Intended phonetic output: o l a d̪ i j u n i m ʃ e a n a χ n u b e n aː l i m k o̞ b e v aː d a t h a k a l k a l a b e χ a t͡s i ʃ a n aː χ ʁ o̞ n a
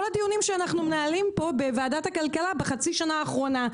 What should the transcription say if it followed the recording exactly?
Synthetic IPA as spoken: o l a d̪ i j u n i m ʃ e a n a χ n u m e n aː l i m p o̞ b e v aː d a t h a k a l k a l a b e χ a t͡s i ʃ a n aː χ ʁ o̞ n a